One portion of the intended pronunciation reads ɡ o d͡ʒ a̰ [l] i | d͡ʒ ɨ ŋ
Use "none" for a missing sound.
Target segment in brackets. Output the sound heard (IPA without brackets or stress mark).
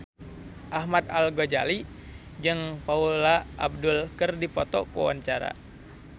l